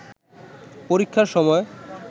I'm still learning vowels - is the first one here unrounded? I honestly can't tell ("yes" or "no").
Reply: no